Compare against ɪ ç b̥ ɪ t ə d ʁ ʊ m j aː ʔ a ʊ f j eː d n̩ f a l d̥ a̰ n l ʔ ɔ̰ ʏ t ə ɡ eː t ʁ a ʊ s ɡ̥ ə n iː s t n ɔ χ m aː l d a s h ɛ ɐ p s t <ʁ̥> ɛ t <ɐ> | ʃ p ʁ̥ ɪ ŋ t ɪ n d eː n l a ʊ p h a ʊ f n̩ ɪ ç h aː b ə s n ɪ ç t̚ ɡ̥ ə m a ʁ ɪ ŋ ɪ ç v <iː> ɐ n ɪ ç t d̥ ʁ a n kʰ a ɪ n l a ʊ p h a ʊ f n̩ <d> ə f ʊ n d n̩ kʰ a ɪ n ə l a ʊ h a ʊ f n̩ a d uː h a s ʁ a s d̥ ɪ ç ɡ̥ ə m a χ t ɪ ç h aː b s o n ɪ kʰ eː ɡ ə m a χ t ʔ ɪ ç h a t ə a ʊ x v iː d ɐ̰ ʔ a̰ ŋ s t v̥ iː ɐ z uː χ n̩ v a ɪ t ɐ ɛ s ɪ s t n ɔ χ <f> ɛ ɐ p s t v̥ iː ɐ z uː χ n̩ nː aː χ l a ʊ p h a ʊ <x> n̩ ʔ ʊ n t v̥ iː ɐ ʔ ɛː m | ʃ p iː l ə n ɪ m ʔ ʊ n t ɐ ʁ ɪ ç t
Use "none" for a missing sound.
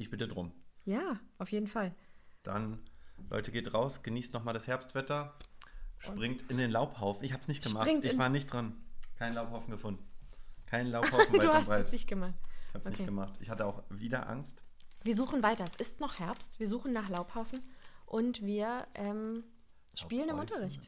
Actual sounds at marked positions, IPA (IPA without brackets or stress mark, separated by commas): v̥, ɐ, aː, ɡ, h, f